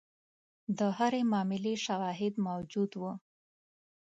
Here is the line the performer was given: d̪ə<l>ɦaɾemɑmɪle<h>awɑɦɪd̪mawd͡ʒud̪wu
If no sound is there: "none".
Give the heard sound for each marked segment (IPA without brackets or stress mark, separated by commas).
none, ʃ